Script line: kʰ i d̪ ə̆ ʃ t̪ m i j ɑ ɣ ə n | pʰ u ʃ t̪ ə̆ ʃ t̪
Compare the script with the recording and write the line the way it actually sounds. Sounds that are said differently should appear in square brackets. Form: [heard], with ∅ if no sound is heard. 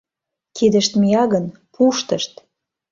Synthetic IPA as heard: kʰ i d̪ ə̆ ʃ t̪ m i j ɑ ɣ ə n | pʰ u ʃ t̪ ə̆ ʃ t̪